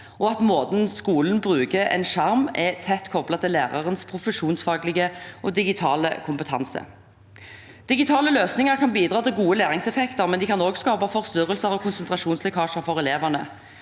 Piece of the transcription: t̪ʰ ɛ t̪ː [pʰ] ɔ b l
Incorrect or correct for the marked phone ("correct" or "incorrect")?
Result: incorrect